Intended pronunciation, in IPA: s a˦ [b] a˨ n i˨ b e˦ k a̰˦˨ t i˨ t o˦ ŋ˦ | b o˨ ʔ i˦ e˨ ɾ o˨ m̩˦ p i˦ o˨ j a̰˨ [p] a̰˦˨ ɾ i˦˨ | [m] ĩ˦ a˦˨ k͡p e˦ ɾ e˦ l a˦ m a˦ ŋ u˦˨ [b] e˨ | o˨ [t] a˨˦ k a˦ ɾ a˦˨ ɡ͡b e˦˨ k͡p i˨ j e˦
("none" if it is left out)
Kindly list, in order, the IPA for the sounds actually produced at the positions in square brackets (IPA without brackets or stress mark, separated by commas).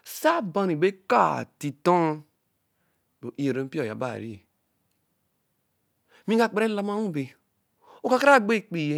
b, b, m, b, k